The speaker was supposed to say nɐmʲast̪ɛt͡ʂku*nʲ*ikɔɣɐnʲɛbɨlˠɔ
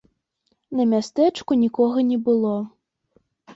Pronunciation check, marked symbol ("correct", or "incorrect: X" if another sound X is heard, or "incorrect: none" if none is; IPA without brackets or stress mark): correct